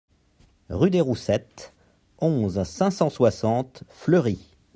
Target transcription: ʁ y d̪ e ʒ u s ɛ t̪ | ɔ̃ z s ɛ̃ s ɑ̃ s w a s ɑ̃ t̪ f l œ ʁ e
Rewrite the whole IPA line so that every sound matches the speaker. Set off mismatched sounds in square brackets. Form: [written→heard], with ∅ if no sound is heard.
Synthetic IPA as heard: ʁ y d̪ e [ʒ→ʁ] u s ɛ t̪ | ɔ̃ z s ɛ̃ s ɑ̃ s w a s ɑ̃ t̪ f l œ ʁ [e→i]